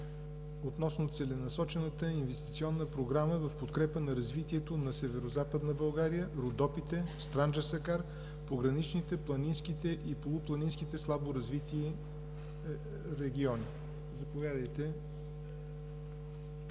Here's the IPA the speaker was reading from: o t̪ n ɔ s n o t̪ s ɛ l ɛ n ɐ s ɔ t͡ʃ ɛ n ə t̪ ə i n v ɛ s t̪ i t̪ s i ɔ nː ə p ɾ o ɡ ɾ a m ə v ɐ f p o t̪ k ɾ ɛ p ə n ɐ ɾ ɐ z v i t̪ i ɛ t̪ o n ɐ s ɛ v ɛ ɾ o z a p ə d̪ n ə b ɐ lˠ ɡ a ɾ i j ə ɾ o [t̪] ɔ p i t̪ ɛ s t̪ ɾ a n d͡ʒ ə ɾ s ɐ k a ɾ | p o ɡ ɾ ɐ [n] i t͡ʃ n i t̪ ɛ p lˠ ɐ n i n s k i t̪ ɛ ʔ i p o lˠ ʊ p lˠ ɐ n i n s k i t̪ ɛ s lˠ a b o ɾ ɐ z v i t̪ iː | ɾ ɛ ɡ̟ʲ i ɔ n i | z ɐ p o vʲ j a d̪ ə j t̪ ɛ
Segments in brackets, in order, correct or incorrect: incorrect: d̪, correct

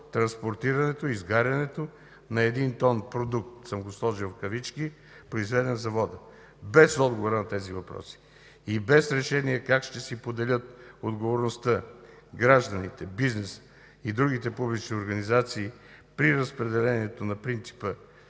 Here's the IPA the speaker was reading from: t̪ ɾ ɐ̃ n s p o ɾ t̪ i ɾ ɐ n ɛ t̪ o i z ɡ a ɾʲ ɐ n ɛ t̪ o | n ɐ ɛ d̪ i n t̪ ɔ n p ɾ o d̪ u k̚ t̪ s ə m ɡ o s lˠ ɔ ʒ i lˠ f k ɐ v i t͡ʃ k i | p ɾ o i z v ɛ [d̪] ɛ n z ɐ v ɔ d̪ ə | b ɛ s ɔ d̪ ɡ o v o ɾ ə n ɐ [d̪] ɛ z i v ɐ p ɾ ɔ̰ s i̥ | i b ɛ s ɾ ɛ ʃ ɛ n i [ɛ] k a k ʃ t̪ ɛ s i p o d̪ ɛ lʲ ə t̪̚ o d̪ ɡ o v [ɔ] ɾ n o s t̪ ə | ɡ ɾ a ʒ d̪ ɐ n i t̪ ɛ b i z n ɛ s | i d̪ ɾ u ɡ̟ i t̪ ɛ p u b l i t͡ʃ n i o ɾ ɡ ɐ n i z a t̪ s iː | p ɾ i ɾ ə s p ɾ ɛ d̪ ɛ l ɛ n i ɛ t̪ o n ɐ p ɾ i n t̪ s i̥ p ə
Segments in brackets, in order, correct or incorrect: correct, incorrect: t̪, correct, incorrect: o

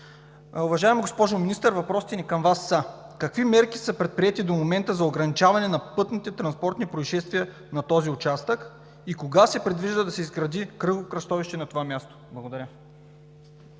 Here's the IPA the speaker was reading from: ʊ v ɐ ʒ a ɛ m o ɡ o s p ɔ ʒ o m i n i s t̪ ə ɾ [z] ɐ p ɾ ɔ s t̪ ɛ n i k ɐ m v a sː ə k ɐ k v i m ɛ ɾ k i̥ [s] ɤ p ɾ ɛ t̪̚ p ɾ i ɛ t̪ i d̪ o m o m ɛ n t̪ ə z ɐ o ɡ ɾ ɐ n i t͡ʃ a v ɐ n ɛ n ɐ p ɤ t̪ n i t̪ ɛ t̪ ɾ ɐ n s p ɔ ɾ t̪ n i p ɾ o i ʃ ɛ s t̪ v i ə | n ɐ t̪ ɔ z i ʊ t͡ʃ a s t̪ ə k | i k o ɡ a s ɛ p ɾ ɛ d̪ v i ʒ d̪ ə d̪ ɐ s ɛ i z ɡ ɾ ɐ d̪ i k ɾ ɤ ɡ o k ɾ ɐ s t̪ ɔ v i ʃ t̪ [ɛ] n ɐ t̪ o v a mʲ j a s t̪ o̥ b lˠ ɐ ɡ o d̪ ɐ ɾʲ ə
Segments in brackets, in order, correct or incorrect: incorrect: v, correct, correct

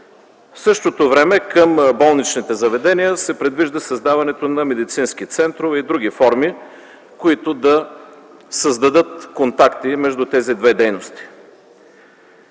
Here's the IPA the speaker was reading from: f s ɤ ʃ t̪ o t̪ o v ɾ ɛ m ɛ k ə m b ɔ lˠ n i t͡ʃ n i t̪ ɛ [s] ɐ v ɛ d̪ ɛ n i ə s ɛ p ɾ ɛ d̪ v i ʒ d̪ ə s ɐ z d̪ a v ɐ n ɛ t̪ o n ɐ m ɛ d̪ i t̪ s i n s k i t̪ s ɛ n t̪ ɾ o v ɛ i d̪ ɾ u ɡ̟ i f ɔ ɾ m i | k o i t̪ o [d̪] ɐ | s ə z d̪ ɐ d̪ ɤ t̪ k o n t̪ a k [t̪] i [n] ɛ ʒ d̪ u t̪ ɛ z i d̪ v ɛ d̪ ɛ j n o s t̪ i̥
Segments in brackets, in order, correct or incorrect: incorrect: z, correct, correct, incorrect: m

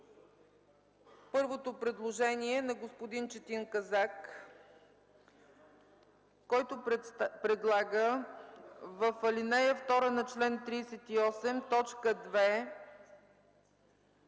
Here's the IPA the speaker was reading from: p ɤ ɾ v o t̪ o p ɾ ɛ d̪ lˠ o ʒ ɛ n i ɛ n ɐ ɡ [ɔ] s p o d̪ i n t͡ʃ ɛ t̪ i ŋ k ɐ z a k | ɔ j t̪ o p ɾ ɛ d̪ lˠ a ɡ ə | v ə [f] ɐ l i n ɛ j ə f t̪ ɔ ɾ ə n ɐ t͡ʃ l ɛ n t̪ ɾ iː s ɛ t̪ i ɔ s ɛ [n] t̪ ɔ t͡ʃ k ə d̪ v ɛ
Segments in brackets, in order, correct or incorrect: incorrect: o, correct, incorrect: m

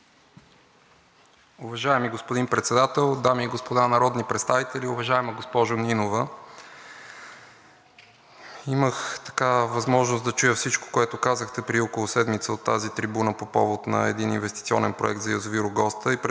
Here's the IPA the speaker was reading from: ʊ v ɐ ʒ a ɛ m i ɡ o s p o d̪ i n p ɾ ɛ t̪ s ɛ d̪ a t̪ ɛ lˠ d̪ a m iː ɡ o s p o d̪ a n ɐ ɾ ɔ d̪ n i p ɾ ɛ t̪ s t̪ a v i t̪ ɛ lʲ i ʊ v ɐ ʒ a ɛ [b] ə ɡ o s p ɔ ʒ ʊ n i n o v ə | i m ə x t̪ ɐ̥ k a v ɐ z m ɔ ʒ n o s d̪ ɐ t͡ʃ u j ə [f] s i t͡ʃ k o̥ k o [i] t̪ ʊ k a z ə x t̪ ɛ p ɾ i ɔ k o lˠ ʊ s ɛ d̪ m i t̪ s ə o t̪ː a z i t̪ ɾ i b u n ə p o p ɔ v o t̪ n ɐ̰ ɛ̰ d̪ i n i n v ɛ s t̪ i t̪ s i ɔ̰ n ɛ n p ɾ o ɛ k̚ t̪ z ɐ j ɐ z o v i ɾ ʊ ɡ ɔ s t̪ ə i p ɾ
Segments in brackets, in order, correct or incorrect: incorrect: m, correct, incorrect: ɛ

